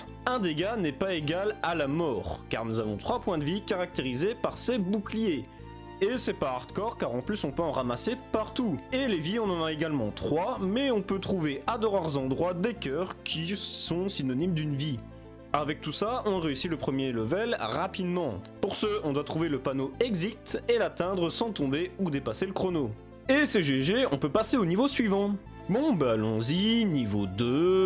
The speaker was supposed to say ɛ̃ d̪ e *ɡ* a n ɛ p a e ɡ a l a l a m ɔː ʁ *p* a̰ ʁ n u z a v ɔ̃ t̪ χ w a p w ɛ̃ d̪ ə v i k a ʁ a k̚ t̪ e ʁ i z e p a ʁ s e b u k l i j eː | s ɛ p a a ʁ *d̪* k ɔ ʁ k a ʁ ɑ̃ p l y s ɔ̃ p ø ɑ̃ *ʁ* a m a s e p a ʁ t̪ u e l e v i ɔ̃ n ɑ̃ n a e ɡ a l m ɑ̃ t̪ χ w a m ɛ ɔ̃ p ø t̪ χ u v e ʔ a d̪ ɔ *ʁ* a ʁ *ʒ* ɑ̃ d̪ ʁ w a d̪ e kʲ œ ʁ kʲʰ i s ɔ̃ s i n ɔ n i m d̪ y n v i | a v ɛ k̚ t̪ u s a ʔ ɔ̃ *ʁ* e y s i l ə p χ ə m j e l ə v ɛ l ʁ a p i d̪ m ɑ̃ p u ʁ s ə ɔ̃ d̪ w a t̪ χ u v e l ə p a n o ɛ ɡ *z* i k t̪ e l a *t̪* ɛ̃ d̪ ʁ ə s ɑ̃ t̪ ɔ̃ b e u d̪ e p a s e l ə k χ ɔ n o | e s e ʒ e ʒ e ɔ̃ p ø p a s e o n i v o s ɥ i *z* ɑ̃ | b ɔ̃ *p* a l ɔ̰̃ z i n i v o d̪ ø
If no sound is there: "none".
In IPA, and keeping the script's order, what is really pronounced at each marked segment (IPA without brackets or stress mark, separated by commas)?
ɡ, k, t̪, ʁ, ʁ, z, ʁ, z, t̪, v, b